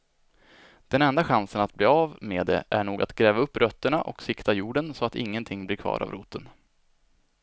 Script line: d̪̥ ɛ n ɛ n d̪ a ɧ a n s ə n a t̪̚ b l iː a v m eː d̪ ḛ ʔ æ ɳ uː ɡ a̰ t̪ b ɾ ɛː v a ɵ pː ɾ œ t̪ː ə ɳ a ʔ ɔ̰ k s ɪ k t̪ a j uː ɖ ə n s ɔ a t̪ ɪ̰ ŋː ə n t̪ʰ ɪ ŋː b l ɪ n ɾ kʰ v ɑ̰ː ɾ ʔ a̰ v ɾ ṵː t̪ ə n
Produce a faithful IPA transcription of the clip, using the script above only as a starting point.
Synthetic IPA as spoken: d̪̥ ɛ n ɛ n d̪ a ɧ a n s ə n a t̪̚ b l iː a v m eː d̪ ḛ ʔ æ ɳ uː ɡ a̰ t̪ ɡ ɾ ɛː v a ɵ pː ɾ œ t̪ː ə ɳ a ʔ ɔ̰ k s ɪ k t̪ a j uː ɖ ə n s ɔ a t̪ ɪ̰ ŋː ə n t̪ʰ ɪ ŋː b l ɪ ɾ kʰ v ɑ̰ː ɾ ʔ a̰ v ɾ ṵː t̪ ə n